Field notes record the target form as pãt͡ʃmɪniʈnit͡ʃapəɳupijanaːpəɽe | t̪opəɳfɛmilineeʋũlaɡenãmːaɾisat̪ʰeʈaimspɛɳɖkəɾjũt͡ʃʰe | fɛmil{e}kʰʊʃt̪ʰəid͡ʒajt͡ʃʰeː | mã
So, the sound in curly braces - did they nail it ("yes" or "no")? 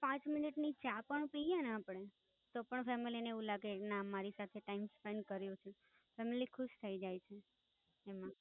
no